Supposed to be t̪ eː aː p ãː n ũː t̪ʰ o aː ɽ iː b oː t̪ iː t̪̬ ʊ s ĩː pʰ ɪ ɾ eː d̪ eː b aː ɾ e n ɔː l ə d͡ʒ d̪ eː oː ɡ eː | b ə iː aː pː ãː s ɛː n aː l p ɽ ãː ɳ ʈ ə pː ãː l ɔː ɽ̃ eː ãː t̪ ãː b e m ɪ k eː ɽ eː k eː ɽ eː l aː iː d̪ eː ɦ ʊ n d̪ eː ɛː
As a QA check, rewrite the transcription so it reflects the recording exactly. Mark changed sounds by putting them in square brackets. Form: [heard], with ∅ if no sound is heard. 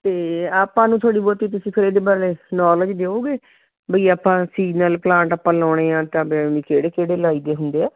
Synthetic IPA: t̪ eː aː p ãː n ũː t̪ʰ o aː ɽ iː b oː t̪ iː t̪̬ ʊ s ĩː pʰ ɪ ɾ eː d̪ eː b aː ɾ e n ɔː l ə d͡ʒ d̪ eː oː ɡ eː | b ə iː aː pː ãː s [iː] n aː l p [l] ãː ɳ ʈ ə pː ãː l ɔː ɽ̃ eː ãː t̪ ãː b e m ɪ k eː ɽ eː k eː ɽ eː l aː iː d̪ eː ɦ ʊ n d̪ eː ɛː

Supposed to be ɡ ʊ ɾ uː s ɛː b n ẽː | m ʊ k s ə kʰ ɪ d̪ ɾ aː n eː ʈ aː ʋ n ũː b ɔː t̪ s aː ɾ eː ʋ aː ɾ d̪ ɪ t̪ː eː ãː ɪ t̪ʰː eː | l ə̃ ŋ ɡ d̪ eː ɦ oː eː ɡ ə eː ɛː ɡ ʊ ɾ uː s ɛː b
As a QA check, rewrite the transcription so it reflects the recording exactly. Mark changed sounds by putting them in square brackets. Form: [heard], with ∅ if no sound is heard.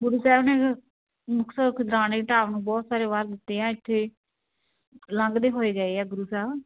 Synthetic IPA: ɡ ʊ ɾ uː s ɛː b n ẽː | m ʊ k s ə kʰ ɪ d̪ ɾ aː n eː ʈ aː ʋ n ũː b ɔː t̪ s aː ɾ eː ʋ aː ɾ d̪ ɪ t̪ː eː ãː ɪ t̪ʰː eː | l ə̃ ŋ ɡ d̪ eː ɦ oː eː ɡ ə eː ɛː ɡ ʊ ɾ uː s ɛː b

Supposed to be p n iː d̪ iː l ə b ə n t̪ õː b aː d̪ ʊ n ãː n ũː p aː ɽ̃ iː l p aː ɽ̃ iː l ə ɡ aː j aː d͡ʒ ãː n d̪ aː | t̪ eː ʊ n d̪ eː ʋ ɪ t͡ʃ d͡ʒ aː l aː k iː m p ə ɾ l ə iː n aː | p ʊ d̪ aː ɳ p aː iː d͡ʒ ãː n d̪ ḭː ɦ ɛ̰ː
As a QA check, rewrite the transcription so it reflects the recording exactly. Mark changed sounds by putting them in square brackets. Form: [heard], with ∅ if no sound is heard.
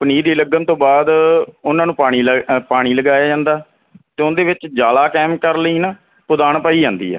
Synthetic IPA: p n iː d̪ iː l ə [ɡ] ə n t̪ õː b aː d̪ ʊ n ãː n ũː p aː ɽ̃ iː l p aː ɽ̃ iː l ə ɡ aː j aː d͡ʒ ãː n d̪ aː | t̪ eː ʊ n d̪ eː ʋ ɪ t͡ʃ d͡ʒ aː l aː k [ɛː] m [k] ə ɾ l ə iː n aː | p ʊ d̪ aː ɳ p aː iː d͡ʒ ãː n d̪ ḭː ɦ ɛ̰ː

